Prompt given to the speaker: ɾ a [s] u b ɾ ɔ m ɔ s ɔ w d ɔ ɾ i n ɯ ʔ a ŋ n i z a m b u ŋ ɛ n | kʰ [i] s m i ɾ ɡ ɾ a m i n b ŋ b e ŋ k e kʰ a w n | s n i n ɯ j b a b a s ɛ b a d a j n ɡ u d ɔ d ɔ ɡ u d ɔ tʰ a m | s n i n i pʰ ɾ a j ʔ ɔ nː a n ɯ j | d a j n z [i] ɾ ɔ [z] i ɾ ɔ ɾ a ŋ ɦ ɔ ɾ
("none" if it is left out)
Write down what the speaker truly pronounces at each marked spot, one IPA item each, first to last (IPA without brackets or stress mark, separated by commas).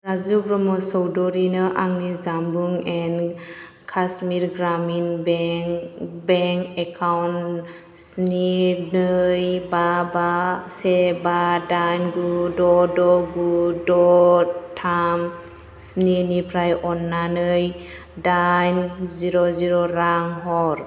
z, a, i, z